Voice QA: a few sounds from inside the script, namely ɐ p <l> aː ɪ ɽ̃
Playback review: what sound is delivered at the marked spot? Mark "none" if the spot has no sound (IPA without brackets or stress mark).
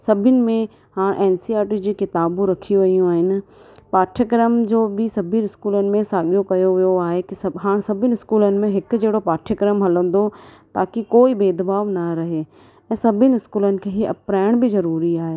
ɾ